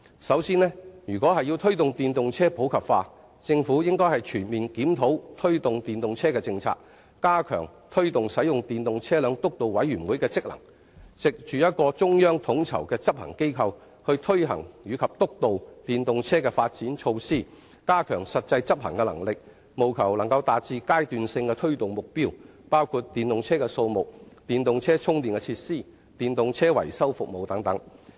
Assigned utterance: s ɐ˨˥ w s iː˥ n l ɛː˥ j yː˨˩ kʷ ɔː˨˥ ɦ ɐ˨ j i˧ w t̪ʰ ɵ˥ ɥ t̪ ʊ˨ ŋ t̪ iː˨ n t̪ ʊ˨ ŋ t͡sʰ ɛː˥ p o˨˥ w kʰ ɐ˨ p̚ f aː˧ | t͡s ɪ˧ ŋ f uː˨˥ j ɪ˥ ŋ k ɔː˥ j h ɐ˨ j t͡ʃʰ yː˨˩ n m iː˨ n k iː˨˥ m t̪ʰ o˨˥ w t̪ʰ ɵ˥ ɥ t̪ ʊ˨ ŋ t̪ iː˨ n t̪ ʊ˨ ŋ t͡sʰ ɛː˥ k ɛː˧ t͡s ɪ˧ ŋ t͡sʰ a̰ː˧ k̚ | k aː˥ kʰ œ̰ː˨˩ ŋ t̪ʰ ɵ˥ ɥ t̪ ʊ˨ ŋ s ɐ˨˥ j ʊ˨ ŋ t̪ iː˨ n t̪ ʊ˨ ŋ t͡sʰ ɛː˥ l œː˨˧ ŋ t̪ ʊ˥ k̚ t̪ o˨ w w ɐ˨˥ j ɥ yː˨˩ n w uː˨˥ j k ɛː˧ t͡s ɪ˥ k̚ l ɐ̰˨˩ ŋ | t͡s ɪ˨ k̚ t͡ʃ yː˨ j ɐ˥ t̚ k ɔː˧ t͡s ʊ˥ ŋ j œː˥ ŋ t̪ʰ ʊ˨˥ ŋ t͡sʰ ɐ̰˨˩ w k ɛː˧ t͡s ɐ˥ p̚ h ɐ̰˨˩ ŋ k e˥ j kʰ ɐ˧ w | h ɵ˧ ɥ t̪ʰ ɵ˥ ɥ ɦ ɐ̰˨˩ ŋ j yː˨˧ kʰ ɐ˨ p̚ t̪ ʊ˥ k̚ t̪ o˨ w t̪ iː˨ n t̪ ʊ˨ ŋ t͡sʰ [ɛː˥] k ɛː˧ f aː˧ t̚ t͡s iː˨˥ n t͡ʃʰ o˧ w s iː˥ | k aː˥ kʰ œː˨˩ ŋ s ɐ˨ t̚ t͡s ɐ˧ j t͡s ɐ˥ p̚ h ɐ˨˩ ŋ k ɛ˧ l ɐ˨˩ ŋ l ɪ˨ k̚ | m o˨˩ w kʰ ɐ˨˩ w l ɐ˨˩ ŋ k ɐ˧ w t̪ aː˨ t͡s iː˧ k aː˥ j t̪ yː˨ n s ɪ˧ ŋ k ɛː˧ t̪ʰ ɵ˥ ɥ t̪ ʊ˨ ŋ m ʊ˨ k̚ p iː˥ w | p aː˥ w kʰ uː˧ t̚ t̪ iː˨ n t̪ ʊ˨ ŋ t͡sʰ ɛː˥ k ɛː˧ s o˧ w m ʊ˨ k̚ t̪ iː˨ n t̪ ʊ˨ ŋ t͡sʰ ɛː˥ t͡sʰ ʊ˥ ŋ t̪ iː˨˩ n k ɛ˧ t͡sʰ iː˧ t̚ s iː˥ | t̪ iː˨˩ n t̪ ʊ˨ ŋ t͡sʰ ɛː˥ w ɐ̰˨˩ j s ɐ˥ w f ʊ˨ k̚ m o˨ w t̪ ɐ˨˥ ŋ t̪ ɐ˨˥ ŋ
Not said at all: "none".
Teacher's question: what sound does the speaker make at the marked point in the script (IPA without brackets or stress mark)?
ɛː˥